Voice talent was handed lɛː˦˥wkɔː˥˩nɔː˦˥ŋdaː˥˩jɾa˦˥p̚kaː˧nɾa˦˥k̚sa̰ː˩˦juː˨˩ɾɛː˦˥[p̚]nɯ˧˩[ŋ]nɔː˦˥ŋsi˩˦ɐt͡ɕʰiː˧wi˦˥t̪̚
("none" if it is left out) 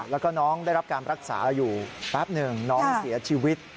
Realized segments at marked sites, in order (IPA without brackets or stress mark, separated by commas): p̚, ŋ